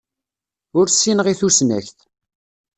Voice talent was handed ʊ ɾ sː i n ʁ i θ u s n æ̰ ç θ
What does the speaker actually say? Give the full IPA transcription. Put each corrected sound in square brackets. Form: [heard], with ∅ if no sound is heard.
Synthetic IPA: ʊ ɾ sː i n ʁ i θ u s n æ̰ ç θ